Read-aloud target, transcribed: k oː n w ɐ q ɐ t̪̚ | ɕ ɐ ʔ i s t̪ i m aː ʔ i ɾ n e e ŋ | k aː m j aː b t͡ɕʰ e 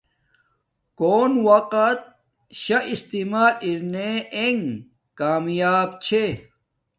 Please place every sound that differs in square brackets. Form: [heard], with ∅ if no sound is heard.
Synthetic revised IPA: k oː n w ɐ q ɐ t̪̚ | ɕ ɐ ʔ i s t̪ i m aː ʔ i ɾ n e e ŋ | k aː m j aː b t͡ɕʰ e